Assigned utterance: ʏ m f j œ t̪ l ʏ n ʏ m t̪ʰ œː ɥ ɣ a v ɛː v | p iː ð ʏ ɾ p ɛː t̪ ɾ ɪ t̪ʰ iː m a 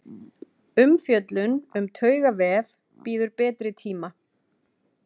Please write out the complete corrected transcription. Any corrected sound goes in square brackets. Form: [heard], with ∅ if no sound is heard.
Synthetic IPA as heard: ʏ m f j œ t̪ l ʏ n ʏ m t̪ʰ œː ɥ ɣ a v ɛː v | p iː ð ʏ ɾ p ɛː t̪ ɾ ɪ t̪ʰ iː m a